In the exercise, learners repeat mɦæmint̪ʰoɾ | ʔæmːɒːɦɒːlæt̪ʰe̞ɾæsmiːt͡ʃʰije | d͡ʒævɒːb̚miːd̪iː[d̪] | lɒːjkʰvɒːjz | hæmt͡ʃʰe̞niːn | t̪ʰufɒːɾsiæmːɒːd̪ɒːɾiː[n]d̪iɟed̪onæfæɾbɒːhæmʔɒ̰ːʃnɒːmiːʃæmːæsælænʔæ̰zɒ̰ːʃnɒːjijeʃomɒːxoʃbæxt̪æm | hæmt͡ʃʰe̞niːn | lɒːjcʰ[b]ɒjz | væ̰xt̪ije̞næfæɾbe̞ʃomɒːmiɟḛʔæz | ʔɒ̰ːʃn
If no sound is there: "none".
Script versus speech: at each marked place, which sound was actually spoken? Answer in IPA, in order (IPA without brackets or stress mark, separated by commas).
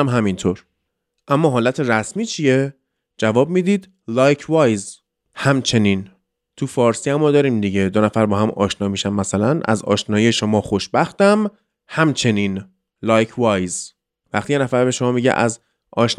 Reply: d̪, m, v